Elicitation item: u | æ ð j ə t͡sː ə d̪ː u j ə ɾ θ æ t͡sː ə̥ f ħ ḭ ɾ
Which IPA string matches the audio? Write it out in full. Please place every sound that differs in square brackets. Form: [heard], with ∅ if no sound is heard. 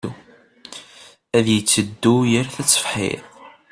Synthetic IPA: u | æ ð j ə t͡sː ə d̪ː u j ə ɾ θ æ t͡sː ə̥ f ħ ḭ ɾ